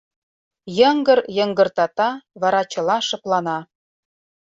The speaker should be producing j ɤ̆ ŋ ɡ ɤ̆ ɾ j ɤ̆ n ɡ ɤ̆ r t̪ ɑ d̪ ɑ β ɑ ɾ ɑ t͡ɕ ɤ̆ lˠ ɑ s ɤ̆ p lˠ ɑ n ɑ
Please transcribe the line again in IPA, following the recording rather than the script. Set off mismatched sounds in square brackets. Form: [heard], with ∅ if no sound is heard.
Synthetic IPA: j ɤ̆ ŋ ɡ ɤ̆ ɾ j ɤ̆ [ŋ] ɡ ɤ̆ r t̪ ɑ [t̪] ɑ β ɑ ɾ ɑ t͡ɕ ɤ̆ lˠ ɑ [ʃ] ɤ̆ p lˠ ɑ n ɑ